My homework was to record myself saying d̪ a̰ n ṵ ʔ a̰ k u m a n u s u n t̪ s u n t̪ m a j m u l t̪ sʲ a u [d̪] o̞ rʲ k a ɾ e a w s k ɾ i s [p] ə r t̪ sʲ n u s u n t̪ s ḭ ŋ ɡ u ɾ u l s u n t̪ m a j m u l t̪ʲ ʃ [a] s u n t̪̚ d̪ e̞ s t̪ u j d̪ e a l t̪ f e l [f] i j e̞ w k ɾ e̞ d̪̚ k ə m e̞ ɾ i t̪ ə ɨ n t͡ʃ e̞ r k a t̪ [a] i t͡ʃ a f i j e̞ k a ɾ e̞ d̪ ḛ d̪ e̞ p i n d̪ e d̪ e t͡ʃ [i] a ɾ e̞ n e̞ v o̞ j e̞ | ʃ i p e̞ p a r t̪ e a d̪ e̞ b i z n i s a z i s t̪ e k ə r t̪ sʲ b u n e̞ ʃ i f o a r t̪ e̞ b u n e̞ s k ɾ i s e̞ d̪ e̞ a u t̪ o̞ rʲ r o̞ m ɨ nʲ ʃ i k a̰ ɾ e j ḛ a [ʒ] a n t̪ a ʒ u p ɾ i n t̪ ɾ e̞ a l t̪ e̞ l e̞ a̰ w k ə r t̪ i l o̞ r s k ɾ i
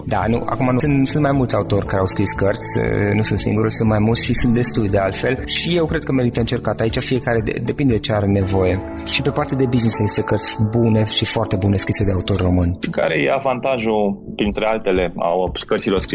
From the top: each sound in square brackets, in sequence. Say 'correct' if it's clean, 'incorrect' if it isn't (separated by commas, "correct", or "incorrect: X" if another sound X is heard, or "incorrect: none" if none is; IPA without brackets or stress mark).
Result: incorrect: t̪, incorrect: k, incorrect: i, incorrect: ʃ, correct, incorrect: e, incorrect: v